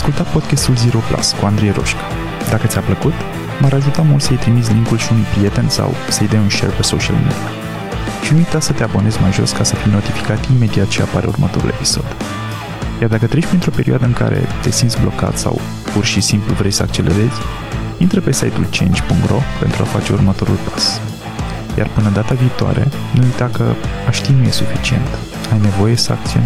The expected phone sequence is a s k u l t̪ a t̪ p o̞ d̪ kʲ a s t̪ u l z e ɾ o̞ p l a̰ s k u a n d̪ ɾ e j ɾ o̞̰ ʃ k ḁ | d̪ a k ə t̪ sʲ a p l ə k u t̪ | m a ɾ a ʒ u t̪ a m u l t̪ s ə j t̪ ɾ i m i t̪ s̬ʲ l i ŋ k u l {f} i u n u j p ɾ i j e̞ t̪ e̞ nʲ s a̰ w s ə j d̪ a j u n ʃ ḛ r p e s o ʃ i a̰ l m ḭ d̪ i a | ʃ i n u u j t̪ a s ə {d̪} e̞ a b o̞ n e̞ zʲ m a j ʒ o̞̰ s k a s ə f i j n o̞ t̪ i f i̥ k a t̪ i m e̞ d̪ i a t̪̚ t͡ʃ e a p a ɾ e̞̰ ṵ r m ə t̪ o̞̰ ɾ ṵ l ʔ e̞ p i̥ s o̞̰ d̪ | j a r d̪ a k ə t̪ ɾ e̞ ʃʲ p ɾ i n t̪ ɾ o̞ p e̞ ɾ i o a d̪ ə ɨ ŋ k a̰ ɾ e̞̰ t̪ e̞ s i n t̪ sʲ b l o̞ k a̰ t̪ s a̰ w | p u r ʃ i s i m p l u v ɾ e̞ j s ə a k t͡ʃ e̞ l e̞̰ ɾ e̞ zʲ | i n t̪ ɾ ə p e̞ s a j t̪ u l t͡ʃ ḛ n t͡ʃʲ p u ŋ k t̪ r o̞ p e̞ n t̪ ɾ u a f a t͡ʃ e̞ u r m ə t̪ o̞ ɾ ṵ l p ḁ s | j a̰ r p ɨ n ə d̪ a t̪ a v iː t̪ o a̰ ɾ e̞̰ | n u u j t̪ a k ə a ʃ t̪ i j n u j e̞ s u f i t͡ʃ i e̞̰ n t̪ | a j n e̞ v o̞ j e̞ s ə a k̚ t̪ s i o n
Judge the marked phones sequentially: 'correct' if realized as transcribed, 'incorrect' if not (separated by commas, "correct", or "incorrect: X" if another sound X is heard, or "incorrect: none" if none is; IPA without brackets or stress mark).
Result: incorrect: ʃ, incorrect: t̪